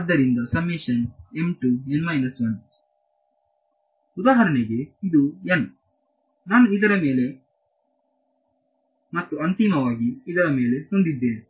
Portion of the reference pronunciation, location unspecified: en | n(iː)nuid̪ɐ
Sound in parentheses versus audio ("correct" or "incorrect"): incorrect